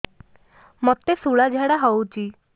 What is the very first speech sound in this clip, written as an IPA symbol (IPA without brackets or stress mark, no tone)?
m